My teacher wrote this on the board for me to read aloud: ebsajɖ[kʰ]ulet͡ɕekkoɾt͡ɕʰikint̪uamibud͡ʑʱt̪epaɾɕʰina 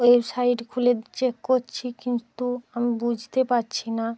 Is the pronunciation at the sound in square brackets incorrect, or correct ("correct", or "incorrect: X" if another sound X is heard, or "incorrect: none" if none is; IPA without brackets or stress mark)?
correct